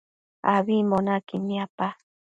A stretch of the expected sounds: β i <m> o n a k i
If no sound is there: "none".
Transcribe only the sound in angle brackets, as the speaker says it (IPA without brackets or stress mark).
m